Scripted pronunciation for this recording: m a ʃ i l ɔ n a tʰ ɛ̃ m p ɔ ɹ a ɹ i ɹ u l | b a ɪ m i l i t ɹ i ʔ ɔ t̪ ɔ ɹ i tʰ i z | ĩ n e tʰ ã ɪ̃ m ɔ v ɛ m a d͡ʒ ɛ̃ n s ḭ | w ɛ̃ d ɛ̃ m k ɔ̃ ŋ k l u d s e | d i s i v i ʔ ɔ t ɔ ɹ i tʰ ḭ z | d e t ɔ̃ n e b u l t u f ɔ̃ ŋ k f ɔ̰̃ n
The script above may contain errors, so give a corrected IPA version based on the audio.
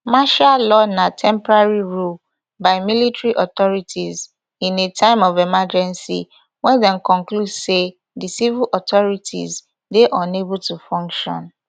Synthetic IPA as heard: m a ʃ a l ɔ n a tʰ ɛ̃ m p ɔ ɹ a ɹ i ɹ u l | b a ɪ m i l i t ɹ i ʔ ɔ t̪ ɔ ɹ i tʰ i z | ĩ n e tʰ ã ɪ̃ m ɔ v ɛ m a d͡ʒ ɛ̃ n s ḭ | w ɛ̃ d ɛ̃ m k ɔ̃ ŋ k l u d s e | d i s i v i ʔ ɔ t ɔ ɹ i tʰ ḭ z | d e ʔ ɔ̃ n e b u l t u f ɔ̃ ŋ k ʃ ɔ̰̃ n